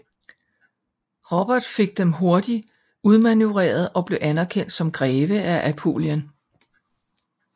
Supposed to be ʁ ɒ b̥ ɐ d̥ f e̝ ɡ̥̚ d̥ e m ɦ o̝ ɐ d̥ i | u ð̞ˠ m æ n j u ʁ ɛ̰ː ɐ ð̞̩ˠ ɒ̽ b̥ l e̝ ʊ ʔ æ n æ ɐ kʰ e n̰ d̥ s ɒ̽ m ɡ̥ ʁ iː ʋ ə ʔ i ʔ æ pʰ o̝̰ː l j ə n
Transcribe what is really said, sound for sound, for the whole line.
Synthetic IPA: ʁ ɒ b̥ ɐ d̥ f e̝ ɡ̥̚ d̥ e m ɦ o̝ ɐ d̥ i | u ð̞ˠ m æ n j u ʁ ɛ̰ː ɐ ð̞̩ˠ ɒ̽ b̥ l e̝ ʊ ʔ æ n æ ɐ kʰ e n̰ d̥ s ɒ̽ m ɡ̥ ʁ ɛː ʋ ə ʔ æ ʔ æ pʰ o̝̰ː l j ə n